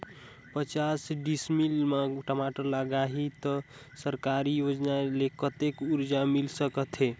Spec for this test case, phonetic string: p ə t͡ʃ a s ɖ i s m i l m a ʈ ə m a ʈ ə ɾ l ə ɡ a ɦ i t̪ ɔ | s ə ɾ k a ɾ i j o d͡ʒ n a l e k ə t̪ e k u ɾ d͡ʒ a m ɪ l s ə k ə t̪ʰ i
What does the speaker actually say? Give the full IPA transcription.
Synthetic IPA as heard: p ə t͡ʃ a s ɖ i s m i l m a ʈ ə m a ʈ ə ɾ l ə ɡ a ɦ i t̪ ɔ | s ə ɾ k a ɾ i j o d͡ʒ n a l e k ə t̪ e k u ɾ d͡ʒ a m i l s ə k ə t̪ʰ e